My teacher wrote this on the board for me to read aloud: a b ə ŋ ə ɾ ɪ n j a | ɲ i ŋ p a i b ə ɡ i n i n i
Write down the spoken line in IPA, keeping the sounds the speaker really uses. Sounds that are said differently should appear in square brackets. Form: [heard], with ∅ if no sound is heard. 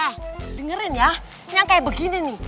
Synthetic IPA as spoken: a [d] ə ŋ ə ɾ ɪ n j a | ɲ [a] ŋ [k] a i b ə ɡ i n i n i